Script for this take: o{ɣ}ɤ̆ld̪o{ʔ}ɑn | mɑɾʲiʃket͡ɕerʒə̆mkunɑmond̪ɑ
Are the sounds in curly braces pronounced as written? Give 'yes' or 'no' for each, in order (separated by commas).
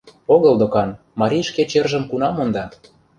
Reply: yes, no